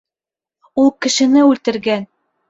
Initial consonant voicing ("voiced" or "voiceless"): voiced